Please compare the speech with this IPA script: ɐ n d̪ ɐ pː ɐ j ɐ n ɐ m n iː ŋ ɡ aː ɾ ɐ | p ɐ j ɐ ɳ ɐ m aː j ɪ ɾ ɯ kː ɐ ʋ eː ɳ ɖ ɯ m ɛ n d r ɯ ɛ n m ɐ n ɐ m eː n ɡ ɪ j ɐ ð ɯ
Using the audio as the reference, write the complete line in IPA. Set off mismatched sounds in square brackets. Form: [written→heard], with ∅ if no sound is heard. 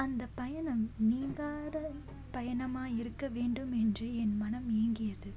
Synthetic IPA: ɐ n d̪ ɐ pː ɐ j ɐ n ɐ m n iː ŋ ɡ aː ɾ ɐ | p ɐ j ɐ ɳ ɐ m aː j ɪ ɾ ɯ kː ɐ ʋ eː ɳ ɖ ɯ m ɛ n d r ɯ ɛ n m ɐ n ɐ m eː [n→ŋ] ɡ ɪ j ɐ ð ɯ